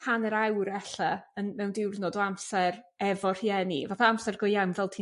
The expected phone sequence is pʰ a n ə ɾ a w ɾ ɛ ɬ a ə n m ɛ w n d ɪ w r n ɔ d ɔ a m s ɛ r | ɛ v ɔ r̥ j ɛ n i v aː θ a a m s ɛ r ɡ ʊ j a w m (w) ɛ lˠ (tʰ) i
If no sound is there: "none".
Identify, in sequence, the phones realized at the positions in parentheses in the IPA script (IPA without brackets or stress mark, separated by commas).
v, tʰ